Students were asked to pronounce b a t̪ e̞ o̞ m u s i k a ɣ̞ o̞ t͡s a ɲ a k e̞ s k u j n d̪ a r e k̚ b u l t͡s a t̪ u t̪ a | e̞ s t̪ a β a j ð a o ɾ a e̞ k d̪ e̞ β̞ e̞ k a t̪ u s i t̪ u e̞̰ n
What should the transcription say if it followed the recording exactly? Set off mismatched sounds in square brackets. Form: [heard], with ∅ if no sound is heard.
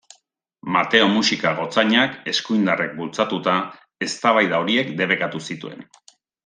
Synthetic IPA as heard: [m] a t̪ e̞ o̞ m u s i k a ɣ̞ o̞ t͡s a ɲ a k e̞ s k u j n d̪ a r e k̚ b u l t͡s a t̪ u t̪ a | e̞ s t̪ a β a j ð a o ɾ [i] e̞ k d̪ e̞ β̞ e̞ k a t̪ u s i t̪ u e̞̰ n

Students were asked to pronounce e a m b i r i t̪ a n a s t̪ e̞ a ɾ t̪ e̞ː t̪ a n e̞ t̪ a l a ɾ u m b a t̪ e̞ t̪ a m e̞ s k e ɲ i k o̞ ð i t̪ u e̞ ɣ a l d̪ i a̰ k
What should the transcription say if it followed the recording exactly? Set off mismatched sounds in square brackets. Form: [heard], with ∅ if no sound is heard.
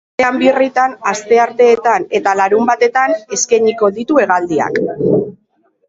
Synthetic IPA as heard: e a m b i r i t̪ a n a s t̪ e̞ a ɾ t̪ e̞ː t̪ a n e̞ t̪ a l a ɾ u m b a t̪ e̞ t̪ a [n] e̞ s k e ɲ i k o̞ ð i t̪ u e̞ ɣ a l d̪ i a̰ k

